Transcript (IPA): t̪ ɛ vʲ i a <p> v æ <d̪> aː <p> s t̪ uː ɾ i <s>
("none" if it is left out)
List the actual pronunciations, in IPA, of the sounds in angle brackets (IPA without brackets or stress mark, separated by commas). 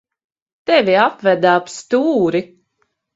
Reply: p, d̪, p, none